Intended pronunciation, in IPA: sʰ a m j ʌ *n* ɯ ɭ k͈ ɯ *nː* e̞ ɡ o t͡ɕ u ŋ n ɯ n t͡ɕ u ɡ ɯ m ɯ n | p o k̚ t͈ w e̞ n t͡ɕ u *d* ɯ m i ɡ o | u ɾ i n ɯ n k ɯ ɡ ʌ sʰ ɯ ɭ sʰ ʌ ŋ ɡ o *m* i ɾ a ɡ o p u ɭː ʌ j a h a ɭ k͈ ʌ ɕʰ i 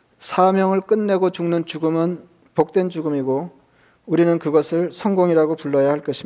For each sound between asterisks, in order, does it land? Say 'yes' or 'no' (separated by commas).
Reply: no, yes, no, no